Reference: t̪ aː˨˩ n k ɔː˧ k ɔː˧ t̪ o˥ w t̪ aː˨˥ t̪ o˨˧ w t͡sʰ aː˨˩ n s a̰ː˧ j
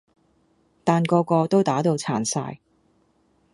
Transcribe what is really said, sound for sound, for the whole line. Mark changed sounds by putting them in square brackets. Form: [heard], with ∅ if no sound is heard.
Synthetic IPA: t̪ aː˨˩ n k ɔː˧ k ɔː˧ t̪ o˥ w t̪ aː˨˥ t̪ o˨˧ w t͡sʰ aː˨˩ n s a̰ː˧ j